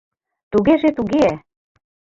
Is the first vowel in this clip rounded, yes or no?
yes